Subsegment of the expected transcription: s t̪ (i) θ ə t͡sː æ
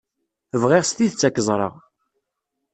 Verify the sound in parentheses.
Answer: correct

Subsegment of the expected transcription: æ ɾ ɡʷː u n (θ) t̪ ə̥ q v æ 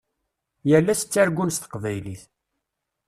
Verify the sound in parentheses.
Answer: incorrect: s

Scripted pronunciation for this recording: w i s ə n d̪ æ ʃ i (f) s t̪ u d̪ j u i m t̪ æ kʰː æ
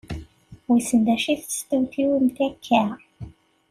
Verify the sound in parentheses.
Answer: incorrect: θ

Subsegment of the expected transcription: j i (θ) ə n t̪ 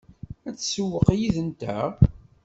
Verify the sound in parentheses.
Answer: incorrect: ð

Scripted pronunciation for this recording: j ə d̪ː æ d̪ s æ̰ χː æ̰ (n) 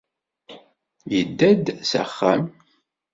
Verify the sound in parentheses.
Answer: incorrect: m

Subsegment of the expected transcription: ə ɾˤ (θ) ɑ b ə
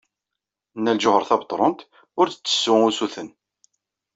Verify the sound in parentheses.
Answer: correct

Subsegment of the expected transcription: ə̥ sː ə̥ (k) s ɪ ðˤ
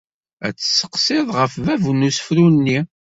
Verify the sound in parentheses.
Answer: incorrect: q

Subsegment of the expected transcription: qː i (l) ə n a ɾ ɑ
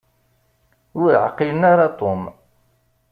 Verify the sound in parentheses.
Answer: correct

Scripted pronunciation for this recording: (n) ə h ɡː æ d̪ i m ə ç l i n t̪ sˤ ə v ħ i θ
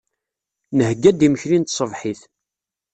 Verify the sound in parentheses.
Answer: correct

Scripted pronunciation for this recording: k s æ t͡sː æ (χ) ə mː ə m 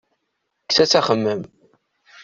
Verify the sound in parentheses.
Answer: correct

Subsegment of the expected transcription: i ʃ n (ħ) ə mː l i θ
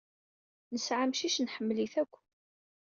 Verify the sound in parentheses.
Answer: correct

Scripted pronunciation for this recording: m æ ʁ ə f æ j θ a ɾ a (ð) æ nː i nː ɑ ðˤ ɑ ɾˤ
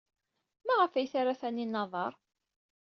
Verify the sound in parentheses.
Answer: incorrect: θ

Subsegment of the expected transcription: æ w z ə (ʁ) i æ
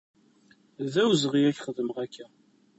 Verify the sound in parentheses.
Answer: correct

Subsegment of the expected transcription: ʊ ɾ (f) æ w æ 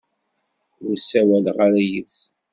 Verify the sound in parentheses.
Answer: incorrect: s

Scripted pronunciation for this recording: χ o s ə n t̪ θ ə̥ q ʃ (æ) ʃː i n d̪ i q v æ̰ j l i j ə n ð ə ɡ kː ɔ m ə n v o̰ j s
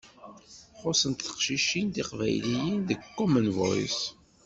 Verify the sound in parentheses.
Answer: incorrect: i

